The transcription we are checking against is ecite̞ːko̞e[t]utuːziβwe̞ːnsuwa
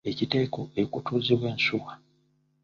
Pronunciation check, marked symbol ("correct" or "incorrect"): incorrect